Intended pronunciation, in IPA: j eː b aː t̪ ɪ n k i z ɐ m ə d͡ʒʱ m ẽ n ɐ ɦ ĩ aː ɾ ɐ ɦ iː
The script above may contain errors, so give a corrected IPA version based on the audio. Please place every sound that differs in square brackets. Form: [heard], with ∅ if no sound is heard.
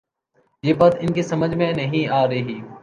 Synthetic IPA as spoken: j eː b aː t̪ ɪ n k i [s] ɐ m ə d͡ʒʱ m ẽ n ɐ ɦ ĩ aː ɾ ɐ ɦ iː